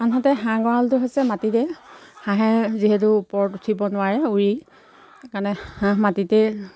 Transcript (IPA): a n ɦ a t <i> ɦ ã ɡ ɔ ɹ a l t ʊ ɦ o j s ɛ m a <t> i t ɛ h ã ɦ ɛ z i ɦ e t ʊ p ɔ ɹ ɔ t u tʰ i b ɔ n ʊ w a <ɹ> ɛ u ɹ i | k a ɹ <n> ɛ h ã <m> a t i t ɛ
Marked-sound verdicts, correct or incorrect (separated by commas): incorrect, correct, correct, correct, correct